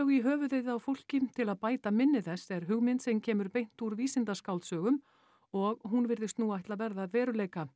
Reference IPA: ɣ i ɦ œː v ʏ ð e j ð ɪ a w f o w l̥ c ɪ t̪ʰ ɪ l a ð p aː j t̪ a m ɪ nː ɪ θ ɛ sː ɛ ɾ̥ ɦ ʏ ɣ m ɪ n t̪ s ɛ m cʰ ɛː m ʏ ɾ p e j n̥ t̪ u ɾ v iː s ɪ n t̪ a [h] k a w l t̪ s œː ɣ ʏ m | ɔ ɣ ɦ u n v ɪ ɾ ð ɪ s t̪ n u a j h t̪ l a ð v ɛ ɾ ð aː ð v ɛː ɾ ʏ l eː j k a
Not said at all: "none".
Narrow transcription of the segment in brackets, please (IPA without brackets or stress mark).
s